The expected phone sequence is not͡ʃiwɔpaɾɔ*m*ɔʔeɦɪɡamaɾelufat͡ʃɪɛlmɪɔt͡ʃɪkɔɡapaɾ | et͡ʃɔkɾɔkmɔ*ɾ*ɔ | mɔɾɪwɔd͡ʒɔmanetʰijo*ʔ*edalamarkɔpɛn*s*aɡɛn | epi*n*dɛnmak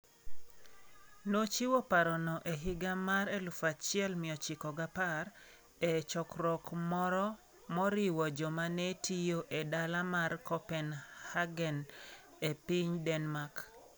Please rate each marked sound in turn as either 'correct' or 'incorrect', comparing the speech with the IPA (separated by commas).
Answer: incorrect, correct, correct, incorrect, incorrect